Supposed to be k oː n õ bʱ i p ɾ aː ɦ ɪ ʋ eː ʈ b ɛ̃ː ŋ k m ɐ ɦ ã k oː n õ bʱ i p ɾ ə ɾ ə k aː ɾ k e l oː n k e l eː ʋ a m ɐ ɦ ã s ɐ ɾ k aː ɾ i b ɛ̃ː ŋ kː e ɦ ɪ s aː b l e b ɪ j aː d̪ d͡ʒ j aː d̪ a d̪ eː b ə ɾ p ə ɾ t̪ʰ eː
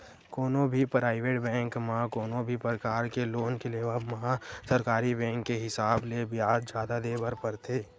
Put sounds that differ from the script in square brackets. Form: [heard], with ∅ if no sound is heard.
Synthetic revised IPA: k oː n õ bʱ i p ɾ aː [∅] ɪ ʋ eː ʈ b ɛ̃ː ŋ k m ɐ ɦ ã k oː n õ bʱ i p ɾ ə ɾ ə k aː ɾ k e l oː n k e l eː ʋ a m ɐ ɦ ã s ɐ ɾ k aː ɾ i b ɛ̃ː ŋ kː e ɦ ɪ s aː b l e b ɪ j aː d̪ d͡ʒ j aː d̪ a d̪ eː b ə ɾ p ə ɾ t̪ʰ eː